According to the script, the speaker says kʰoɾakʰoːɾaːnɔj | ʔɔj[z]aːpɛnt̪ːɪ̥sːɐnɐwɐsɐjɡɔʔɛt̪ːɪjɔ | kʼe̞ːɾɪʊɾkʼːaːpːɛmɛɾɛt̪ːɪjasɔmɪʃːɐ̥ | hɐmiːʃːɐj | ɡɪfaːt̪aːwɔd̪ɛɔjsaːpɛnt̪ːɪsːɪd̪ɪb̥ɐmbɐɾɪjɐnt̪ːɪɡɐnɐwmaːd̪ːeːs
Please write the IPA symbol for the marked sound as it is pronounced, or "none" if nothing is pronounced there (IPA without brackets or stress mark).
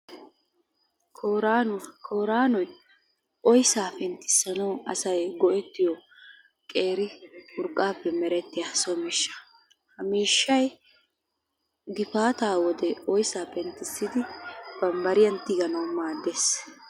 s